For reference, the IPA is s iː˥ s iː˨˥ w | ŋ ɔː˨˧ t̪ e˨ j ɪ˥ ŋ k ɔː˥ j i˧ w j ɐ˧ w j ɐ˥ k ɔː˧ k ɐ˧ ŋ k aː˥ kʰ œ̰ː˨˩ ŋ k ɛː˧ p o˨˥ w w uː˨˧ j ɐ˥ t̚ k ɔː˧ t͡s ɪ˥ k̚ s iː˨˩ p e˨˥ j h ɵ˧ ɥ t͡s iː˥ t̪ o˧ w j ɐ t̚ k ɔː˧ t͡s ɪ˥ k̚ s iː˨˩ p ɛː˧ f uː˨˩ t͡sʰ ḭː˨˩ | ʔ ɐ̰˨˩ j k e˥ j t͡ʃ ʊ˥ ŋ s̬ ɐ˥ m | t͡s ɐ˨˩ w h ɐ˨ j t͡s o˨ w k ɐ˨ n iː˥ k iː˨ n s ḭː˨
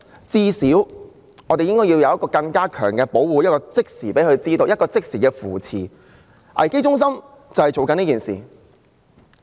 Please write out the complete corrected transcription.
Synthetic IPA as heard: t͡s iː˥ s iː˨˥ w | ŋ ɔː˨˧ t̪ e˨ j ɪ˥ ŋ k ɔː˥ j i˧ w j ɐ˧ w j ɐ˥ k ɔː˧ k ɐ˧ ŋ k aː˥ kʰ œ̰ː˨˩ ŋ k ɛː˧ p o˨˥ w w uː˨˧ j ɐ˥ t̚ k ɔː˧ t͡s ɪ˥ k̚ s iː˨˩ p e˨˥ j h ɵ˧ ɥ t͡s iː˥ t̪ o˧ w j ɐ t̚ k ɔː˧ t͡s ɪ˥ k̚ s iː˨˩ k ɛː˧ f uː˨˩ t͡sʰ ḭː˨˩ | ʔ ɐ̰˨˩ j k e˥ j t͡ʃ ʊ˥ ŋ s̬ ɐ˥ m | t͡s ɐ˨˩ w h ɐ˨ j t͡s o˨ w k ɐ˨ n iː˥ k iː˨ n s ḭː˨